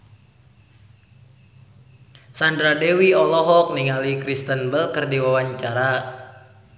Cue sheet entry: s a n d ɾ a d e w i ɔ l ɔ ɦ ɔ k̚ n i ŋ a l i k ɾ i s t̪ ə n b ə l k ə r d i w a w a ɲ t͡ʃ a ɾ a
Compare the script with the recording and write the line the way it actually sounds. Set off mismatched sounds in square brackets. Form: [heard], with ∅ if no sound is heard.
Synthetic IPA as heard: s a n d ɾ a d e w i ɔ l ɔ ɦ ɔ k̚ n i ŋ a l i k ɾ i s t̪ ə n b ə l k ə r d i w a w a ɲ t͡ʃ a ɾ a